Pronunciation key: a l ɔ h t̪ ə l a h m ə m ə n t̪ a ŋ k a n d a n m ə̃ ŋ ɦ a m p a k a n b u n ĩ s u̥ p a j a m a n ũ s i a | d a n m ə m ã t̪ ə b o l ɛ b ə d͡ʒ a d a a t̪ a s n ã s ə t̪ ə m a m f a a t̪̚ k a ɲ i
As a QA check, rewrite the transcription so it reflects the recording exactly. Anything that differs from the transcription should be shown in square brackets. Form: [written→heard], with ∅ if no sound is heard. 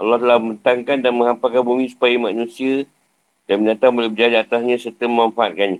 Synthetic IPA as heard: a l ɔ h t̪ ə l a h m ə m ə n t̪ a ŋ k a n d a n m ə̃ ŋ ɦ a m p a k a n b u [n→m] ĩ s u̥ p a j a m a n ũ s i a | d a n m ə [m→ɲ] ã t̪ [ə→a] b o l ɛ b ə d͡ʒ a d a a t̪ a s [n→ɲ] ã s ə t̪ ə m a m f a a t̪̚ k a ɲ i